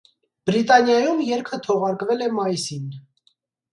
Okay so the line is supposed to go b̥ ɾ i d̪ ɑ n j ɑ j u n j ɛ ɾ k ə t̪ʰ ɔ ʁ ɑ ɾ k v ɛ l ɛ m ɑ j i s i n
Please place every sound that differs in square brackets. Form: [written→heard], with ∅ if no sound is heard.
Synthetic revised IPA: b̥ ɾ i [d̪→t̪] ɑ n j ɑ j u [n→m] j ɛ ɾ [k→kʰ] ə t̪ʰ ɔ ʁ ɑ ɾ k v ɛ l ɛ m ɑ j i s i n